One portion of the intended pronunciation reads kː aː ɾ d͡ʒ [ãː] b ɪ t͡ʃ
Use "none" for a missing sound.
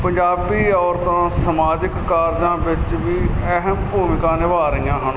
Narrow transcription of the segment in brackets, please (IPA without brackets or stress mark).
ãː